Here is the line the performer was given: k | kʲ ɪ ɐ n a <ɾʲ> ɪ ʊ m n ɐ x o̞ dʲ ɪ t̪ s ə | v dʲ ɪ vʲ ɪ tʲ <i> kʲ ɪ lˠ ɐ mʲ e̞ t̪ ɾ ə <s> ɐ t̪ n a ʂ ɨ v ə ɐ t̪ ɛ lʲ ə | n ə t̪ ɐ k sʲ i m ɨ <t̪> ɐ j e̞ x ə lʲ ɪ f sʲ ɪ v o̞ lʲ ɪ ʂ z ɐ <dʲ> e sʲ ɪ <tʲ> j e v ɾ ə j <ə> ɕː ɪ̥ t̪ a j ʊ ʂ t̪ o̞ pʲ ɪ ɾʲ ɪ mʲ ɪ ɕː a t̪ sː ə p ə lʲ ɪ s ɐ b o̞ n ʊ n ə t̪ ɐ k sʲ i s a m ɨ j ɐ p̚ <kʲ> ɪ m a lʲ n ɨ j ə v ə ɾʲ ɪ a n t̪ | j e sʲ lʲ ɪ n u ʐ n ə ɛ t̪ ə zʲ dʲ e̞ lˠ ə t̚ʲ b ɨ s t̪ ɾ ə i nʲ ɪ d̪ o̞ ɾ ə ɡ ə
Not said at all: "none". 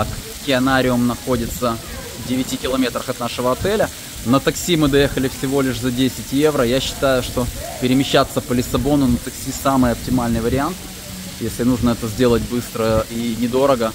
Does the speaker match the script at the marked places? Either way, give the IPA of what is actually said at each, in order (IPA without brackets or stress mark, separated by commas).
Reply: ɾʲ, i, x, d̪, dʲ, tʲ, a, tʲ